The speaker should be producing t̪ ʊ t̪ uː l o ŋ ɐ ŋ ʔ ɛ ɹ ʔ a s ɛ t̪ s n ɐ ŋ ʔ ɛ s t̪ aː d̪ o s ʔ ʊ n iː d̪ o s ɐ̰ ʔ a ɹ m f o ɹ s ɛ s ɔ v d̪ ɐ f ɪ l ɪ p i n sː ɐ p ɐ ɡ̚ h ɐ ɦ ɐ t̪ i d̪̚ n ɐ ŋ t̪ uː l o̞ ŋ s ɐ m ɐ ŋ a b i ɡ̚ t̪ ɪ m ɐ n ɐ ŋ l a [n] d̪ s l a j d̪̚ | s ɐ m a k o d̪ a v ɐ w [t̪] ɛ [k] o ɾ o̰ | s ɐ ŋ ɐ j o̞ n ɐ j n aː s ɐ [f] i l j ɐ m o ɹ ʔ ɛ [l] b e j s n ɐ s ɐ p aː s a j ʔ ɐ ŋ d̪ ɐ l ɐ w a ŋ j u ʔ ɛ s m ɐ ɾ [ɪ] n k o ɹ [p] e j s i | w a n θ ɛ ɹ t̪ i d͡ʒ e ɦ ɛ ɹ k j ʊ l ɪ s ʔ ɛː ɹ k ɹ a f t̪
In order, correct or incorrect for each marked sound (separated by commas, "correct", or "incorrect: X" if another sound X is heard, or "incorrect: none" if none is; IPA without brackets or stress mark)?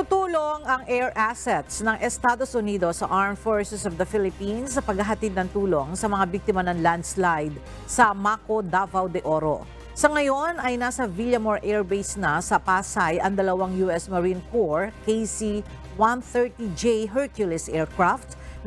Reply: correct, incorrect: d̪, incorrect: ʔ, incorrect: v, incorrect: ɹ, incorrect: i, incorrect: k